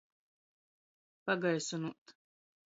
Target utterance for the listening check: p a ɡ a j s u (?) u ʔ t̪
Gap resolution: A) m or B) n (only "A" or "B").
B